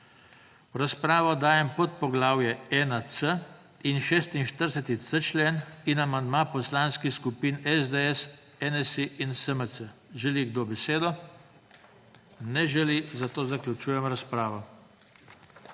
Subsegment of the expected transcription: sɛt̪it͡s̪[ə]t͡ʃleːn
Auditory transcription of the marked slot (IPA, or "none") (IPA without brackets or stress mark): ə